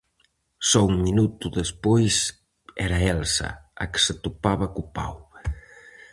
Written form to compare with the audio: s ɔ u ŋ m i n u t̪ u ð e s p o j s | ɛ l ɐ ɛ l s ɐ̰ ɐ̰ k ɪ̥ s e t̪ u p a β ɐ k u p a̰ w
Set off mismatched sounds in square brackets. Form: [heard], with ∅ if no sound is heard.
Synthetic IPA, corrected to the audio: s ɔ u ŋ m i n u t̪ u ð e s p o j s | ɛ [ɾ] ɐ ɛ l s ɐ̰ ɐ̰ k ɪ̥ s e t̪ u p a β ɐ k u p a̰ w